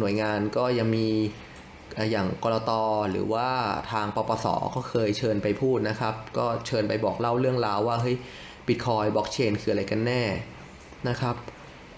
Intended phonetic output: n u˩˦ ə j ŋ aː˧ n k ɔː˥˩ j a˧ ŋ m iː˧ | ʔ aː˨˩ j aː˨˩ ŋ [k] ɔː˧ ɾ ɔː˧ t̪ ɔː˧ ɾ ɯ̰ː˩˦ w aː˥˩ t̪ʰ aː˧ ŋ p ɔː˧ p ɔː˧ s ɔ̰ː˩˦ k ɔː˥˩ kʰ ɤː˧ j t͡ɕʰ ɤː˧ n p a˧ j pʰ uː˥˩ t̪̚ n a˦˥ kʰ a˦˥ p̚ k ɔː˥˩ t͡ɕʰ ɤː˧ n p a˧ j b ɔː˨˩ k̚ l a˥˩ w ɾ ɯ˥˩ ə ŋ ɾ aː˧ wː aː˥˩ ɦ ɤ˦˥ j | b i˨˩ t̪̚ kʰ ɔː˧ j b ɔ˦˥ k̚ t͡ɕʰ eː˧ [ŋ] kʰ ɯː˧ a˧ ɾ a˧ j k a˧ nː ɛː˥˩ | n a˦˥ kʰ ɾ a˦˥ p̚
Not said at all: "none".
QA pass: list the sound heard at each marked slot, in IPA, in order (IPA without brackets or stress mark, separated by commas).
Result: k, n